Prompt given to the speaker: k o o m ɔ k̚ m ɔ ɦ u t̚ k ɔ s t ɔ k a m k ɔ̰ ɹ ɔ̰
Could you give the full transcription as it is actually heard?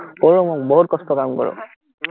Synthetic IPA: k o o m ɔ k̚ b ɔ ɦ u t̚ k ɔ s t ɔ k a m k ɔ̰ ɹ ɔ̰